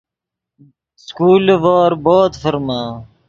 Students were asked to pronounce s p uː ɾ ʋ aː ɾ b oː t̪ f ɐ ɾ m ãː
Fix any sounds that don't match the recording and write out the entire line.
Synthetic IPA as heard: s k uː l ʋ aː ɾ b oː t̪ f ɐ ɾ m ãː

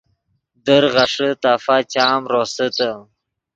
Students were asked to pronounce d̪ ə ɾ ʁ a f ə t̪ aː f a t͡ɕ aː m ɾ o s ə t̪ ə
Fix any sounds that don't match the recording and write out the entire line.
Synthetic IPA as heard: d̪ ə ɾ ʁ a ʂ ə t̪ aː f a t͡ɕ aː m ɾ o s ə t̪ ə

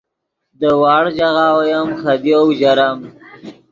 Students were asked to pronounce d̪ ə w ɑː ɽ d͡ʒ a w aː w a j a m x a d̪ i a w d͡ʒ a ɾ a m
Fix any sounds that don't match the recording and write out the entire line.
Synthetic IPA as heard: d̪ ə w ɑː ɽ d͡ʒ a ɣ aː w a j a m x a d̪ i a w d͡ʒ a ɾ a m

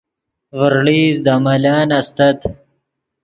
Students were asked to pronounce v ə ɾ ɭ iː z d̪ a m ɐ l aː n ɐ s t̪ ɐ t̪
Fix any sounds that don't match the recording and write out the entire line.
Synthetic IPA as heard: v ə ɾ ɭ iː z d̪ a m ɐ l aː n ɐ s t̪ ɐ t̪

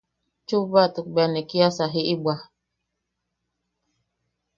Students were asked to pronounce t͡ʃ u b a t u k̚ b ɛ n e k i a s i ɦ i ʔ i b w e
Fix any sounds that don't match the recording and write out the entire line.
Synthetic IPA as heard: t͡ʃ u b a t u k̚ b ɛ n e k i a s a ɦ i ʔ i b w a

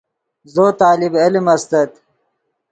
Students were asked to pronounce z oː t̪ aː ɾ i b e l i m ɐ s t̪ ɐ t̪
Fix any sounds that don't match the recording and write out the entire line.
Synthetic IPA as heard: z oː t̪ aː l i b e l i m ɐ s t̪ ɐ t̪

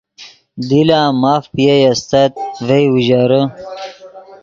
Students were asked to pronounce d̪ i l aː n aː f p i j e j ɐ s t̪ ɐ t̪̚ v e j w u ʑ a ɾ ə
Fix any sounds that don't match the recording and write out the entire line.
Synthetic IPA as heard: d̪ i l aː m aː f p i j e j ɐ s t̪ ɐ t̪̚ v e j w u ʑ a ɾ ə

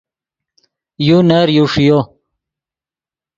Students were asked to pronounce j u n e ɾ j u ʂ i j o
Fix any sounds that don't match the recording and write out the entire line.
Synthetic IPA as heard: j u n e ɾ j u ʂ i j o

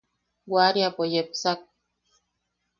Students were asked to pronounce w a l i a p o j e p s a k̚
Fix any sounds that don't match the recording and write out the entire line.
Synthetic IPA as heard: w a ɾ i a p o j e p s a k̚

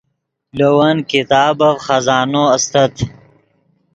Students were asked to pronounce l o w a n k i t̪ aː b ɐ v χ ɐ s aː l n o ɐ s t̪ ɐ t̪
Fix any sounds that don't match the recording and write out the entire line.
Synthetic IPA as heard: l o w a n k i t̪ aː b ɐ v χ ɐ z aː n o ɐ s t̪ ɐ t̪

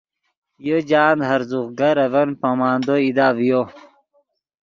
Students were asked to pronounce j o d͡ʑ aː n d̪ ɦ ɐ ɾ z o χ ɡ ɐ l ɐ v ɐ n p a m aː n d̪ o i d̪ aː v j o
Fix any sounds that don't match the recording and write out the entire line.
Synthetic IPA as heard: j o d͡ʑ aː n d̪ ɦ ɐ ɾ z u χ ɡ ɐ ɾ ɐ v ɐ n p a m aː n d̪ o i d̪ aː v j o

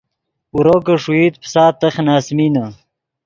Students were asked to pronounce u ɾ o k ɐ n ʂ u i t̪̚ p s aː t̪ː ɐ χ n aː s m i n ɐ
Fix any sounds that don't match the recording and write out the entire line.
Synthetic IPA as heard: u ɾ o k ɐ ʂ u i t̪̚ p s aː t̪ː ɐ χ n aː s m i n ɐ

